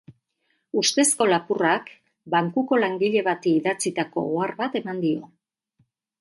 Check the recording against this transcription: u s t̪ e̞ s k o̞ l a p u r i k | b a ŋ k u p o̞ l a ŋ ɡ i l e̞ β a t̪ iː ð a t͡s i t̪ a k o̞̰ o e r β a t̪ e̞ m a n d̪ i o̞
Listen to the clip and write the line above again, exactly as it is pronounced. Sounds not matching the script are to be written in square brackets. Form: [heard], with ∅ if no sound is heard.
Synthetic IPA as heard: u s t̪ e̞ s k o̞ l a p u r [a] k | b a ŋ k u [k] o̞ l a ŋ ɡ i [ʎ] e̞ β a t̪ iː ð a t͡s i t̪ a k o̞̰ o [a] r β a t̪ e̞ m a n d̪ i o̞